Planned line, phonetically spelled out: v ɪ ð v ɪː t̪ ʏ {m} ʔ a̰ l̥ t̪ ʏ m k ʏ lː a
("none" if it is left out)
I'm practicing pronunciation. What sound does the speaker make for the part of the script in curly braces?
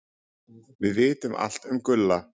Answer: m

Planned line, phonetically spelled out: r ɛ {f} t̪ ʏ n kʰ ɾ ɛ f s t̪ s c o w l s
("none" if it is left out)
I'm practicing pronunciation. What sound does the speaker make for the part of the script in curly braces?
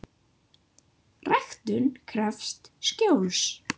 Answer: x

